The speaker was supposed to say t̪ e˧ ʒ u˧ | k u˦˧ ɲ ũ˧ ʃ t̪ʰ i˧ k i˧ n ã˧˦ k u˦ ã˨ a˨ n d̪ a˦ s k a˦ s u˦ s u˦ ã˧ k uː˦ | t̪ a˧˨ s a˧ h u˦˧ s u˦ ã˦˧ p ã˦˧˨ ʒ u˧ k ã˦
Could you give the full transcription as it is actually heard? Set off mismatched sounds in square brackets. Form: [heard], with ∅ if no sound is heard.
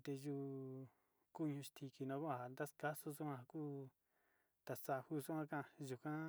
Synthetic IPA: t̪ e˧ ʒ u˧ | k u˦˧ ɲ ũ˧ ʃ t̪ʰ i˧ k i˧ n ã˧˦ k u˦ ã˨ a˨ n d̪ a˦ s k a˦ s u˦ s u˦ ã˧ k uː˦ | t̪ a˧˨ s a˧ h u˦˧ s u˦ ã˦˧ [k] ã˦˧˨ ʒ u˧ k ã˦